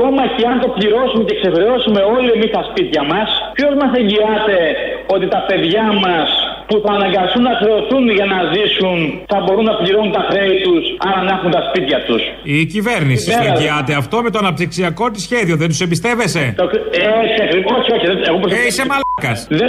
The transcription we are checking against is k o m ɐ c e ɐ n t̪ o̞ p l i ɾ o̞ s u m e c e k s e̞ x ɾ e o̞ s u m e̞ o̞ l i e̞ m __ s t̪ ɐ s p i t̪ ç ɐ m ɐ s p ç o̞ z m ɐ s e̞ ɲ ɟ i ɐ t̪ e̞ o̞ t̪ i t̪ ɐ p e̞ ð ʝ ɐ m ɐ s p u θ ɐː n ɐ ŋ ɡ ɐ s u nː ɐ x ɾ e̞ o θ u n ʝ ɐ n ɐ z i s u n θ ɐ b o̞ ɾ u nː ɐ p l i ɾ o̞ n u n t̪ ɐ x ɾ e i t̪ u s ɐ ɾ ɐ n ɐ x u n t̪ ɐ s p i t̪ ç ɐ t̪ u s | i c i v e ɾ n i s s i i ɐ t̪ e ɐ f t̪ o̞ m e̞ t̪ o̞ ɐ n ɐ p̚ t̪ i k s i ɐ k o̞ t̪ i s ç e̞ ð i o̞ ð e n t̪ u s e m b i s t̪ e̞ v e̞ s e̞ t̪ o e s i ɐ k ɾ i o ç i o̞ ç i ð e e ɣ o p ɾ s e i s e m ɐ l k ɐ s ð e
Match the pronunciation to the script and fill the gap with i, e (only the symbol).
i